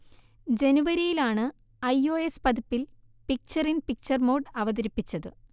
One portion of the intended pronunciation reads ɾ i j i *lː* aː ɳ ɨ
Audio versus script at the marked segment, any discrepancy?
yes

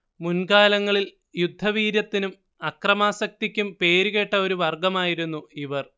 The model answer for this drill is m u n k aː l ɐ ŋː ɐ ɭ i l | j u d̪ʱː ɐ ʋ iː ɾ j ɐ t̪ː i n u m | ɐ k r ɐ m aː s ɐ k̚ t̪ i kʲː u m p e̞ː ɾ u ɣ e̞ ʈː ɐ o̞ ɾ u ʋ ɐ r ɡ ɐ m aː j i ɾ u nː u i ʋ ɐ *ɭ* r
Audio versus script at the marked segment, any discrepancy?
yes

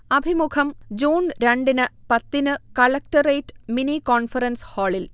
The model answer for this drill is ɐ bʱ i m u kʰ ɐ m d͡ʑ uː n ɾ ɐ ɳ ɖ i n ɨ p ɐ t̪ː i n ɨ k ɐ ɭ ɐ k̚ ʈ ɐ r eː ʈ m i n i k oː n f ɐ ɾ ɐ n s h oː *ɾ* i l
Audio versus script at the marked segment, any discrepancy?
yes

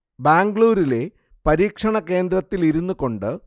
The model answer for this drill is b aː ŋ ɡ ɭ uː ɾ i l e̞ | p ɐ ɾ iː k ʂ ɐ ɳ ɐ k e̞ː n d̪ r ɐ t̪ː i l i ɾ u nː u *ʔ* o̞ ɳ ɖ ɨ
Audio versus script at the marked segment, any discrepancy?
yes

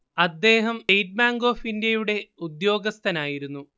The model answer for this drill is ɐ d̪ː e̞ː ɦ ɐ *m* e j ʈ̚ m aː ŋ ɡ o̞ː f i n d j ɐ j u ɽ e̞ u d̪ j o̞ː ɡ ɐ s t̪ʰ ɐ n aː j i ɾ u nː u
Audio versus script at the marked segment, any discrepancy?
no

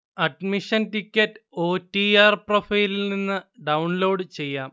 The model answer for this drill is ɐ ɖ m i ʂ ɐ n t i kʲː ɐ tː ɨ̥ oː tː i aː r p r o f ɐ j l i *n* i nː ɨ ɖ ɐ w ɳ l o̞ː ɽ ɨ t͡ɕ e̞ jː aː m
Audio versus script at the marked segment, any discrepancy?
no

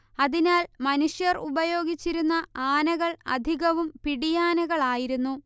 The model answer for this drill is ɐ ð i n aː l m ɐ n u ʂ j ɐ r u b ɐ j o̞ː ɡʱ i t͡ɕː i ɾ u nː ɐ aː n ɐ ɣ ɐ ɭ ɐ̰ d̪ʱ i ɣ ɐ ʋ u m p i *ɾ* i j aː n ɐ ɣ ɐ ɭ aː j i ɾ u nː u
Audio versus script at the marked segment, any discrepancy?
yes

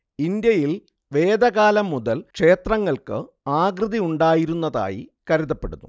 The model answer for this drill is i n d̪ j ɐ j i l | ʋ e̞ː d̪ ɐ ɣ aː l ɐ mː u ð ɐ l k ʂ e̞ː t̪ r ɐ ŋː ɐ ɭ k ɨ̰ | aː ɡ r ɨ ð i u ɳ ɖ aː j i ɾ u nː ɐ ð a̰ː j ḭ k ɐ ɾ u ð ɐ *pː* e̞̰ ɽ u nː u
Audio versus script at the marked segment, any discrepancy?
no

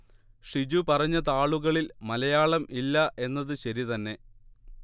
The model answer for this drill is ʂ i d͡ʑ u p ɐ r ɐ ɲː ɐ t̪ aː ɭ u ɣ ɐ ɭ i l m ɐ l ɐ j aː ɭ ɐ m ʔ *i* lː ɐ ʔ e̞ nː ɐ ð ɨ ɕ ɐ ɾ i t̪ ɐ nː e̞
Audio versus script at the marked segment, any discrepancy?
no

